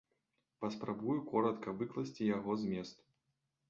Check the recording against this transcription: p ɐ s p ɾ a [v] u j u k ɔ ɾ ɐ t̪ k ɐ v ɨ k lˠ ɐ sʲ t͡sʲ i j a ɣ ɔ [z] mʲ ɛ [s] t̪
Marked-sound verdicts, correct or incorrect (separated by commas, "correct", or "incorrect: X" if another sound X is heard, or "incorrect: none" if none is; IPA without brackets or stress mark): incorrect: b, correct, correct